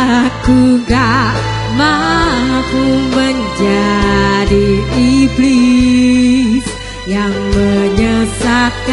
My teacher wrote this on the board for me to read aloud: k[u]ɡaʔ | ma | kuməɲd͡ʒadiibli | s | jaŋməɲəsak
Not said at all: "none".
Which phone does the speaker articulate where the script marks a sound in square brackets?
u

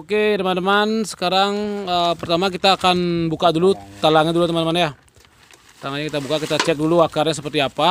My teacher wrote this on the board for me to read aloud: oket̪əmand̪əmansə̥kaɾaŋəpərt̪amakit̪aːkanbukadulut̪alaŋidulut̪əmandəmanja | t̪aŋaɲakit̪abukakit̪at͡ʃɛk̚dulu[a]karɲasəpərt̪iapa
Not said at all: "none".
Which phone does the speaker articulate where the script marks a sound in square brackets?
a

